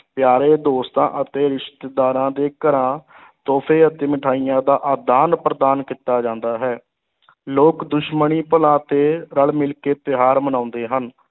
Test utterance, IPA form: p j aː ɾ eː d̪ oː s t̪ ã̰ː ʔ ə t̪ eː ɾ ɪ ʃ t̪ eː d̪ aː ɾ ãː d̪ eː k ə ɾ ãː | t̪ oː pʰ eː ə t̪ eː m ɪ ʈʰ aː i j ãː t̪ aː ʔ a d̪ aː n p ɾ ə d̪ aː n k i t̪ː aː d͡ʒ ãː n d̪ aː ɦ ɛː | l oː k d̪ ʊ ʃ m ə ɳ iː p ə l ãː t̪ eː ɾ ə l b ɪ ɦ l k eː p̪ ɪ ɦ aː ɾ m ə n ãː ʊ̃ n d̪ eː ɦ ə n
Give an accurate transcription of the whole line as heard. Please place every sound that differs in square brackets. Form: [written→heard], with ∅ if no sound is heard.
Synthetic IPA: p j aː ɾ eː d̪ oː s t̪ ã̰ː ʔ ə t̪ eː ɾ ɪ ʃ t̪ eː d̪ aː ɾ ãː d̪ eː k ə ɾ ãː | t̪ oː pʰ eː ə t̪ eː m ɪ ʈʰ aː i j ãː [t̪→d̪] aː ʔ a d̪ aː n p ɾ ə d̪ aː n k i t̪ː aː d͡ʒ ãː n d̪ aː ɦ ɛː | l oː k d̪ ʊ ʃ m ə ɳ iː p ə l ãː t̪ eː ɾ ə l [b→m] ɪ [ɦ→∅] l k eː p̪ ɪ ɦ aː ɾ m ə n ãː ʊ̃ n d̪ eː ɦ ə n